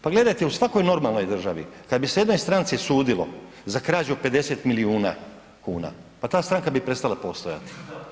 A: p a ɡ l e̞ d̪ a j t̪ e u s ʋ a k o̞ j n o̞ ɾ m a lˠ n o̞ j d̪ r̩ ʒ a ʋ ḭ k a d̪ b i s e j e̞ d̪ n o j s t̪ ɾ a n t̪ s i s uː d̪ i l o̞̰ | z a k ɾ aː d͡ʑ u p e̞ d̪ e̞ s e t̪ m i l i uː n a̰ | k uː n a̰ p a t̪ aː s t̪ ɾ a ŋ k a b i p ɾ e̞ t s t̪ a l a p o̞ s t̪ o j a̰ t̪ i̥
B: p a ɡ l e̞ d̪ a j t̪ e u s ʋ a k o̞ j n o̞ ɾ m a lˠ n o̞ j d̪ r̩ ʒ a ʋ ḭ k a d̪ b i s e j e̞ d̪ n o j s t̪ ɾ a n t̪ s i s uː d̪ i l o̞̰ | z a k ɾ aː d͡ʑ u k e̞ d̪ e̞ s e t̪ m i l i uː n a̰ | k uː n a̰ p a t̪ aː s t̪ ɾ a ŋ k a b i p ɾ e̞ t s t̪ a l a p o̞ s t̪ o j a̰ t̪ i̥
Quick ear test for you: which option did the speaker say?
A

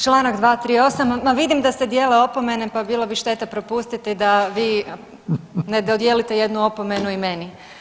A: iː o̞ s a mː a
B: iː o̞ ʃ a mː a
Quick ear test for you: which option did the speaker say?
A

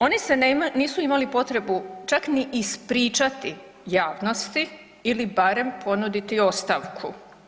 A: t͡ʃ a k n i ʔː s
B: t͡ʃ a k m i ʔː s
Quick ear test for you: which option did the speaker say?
A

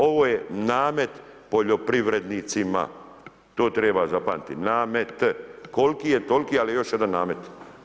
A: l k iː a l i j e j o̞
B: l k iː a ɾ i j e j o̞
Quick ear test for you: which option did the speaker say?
A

